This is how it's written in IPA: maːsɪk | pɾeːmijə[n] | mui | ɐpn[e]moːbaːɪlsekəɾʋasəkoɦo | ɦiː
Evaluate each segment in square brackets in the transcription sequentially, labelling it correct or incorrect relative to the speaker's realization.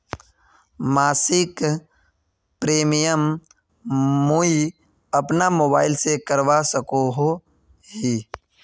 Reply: incorrect: m, incorrect: a

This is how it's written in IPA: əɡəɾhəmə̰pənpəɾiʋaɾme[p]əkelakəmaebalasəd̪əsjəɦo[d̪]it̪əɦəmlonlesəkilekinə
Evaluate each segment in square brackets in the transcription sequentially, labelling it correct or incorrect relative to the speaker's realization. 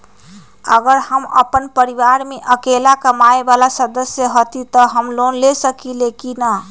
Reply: incorrect: ʔ, incorrect: t̪

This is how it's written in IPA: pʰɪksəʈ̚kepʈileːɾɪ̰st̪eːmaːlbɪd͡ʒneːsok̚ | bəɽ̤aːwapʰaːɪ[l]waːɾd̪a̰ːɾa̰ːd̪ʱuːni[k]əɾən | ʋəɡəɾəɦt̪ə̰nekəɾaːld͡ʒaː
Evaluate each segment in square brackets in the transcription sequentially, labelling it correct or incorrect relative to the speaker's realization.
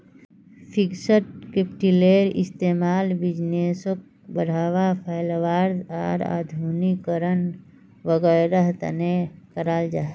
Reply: correct, correct

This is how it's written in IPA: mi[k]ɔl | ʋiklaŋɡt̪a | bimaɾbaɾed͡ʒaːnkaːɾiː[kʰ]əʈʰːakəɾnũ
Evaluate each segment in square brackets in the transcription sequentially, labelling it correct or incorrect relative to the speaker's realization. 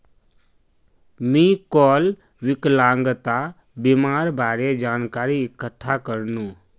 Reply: correct, incorrect: k

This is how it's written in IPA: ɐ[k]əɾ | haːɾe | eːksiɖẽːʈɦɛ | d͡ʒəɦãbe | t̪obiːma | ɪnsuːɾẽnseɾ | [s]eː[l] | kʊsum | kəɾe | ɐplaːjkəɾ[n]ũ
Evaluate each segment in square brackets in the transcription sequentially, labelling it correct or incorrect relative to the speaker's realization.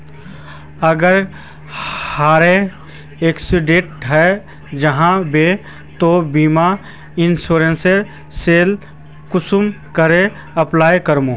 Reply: incorrect: ɡ, correct, correct, incorrect: m

